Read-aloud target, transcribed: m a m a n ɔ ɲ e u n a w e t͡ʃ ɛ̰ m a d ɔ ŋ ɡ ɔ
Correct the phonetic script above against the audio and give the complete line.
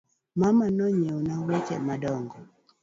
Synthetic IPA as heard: m a m a n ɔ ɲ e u n a w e t͡ʃ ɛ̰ m a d ɔ ŋ ɡ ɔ